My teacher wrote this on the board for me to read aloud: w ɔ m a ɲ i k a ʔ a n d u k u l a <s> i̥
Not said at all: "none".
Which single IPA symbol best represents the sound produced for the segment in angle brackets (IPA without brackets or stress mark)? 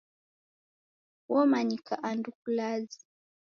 z